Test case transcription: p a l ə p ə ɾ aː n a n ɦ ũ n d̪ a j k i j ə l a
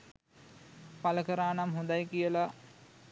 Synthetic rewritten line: p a l ə k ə ɾ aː n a m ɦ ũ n d̪ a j k i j ə l a